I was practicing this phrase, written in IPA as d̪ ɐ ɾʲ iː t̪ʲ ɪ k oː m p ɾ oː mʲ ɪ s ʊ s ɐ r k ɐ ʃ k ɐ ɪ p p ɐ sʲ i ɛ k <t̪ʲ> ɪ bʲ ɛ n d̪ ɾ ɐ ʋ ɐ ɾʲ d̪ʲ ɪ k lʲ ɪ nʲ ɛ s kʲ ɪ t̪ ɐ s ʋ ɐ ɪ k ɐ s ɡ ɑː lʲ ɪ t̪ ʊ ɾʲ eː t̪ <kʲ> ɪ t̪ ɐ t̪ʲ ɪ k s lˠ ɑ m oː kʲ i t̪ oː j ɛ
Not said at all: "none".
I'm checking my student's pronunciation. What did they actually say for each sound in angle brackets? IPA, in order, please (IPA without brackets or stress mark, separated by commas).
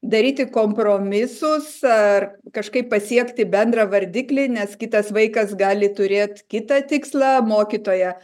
t̪ʲ, kʲ